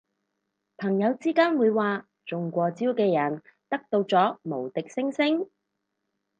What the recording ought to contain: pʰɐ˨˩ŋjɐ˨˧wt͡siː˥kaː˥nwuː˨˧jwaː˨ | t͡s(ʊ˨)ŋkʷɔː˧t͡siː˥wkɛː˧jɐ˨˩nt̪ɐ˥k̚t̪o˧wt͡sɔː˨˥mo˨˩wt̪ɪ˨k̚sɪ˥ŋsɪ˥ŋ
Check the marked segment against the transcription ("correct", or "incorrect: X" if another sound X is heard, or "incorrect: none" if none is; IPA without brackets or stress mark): correct